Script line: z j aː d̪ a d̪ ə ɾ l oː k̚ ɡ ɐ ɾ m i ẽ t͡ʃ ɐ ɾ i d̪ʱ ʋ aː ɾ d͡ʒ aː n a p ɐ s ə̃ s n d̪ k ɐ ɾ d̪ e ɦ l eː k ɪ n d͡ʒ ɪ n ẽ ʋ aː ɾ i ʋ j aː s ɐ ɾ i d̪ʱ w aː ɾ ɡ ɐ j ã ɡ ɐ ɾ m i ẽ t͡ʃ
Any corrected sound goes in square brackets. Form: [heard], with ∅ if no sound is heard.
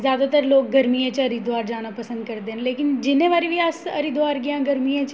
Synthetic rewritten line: z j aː d̪ a [t̪] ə ɾ l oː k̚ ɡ ɐ ɾ m i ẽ t͡ʃ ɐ ɾ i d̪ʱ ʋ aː ɾ d͡ʒ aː n a p ɐ s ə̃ [∅] n d̪ k ɐ ɾ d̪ e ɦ l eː k ɪ n d͡ʒ ɪ n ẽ ʋ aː ɾ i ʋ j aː s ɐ ɾ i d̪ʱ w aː ɾ ɡ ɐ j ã ɡ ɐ ɾ m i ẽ t͡ʃ